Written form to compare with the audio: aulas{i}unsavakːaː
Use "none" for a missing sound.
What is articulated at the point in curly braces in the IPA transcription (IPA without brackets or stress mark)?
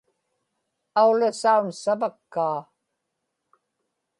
a